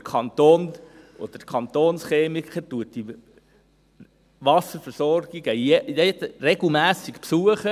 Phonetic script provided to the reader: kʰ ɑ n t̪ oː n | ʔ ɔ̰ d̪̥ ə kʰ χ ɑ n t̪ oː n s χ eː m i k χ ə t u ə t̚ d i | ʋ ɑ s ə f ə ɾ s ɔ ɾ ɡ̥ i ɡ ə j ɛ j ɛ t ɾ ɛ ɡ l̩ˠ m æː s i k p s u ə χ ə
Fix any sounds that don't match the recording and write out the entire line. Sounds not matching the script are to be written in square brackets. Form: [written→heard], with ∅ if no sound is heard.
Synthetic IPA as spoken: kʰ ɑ n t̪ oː n | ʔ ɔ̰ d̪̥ ə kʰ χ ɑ n t̪ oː n s χ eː m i k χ ə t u ə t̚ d i | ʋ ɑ s ə f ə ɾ s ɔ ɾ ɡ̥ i ɡ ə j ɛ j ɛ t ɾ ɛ ɡ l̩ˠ m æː s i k p s u ə χ ə